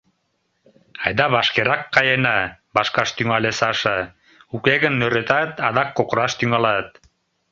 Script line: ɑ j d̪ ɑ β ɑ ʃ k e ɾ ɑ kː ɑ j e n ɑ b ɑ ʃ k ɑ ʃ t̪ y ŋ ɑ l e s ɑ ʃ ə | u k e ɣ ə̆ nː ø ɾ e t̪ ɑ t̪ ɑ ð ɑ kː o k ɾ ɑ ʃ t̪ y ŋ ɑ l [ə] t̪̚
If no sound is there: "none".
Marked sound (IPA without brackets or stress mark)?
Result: ɑ